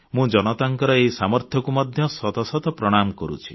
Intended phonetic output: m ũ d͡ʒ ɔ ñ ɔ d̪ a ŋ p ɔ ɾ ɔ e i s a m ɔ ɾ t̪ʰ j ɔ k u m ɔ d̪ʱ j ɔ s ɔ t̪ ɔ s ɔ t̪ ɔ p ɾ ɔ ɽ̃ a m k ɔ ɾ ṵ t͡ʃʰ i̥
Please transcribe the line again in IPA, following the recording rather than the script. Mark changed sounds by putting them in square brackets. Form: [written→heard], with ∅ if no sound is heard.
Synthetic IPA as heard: m ũ d͡ʒ ɔ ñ ɔ [d̪→t̪] a ŋ [p→k] ɔ ɾ ɔ e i s a m ɔ ɾ t̪ʰ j ɔ k u m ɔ d̪ʱ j ɔ s ɔ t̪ ɔ s ɔ t̪ ɔ p ɾ ɔ ɽ̃ a m k ɔ ɾ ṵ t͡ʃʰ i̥